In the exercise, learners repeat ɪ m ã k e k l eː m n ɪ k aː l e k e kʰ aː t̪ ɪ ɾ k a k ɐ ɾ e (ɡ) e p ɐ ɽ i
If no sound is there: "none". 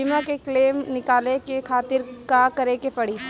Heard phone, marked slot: k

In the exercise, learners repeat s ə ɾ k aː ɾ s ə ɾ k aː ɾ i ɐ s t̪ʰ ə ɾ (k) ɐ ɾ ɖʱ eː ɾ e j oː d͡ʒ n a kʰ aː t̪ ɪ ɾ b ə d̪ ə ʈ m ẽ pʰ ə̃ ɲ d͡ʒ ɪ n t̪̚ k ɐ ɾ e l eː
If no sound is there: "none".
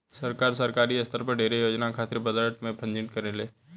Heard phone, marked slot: p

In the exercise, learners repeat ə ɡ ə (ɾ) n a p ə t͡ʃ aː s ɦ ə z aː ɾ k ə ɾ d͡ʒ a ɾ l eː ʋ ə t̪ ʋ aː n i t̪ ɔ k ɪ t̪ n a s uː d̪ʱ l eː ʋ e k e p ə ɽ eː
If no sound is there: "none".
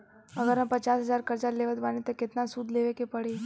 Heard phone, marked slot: ɾ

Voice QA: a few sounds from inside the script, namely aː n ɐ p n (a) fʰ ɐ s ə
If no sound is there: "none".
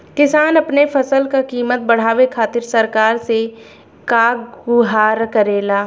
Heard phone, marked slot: e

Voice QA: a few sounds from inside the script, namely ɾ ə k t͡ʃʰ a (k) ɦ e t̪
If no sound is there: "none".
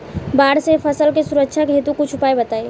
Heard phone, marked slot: k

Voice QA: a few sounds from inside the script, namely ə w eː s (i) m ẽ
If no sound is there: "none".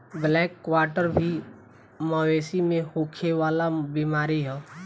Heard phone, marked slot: i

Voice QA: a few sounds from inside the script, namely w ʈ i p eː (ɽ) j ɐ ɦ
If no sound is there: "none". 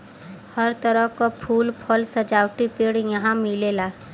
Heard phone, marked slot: ɽ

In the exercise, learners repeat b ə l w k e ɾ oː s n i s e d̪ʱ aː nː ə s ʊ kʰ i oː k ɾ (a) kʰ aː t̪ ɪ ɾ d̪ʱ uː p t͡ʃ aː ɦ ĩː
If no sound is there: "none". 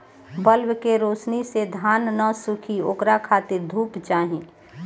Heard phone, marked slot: a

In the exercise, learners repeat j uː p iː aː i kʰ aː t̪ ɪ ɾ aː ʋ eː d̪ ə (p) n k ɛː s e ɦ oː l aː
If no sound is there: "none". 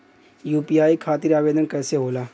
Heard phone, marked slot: none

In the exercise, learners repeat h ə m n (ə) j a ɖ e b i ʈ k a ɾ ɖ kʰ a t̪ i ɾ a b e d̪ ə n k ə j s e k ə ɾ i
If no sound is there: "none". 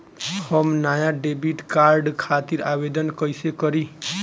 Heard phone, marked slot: a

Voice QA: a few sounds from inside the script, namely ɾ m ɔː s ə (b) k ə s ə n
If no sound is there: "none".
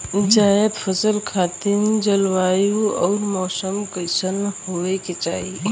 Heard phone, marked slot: m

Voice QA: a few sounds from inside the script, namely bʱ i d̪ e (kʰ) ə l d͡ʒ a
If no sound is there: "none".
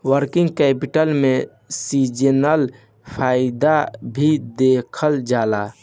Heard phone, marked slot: kʰ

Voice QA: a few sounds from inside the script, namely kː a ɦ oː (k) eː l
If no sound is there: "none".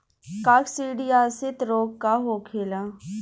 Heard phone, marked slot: kʰ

